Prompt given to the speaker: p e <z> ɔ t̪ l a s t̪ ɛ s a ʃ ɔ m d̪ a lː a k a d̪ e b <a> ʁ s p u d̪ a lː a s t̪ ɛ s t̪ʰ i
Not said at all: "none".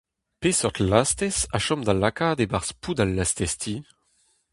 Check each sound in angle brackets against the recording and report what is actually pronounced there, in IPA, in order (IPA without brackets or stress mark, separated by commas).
s, a